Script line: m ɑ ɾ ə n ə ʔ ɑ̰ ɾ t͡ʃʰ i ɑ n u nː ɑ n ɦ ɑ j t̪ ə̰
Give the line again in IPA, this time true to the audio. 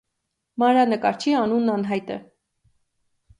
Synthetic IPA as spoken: m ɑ ɾ ɑ n ə k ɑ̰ ɾ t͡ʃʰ i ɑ n u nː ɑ n ɦ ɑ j t̪ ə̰